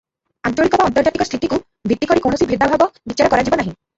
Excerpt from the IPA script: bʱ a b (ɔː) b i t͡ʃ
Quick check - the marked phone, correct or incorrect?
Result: incorrect